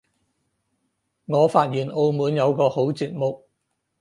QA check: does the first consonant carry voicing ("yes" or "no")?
yes